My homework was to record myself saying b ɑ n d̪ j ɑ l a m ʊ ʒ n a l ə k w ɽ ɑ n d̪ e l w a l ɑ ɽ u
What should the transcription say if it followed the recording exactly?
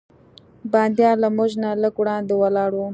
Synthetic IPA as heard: b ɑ n d̪ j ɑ l a m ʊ ʒ n a l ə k w ɽ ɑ n d̪ e w a l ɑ ɽ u